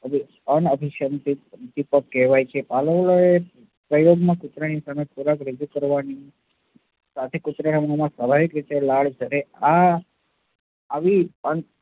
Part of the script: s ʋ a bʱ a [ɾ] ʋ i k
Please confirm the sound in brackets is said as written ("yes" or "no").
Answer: no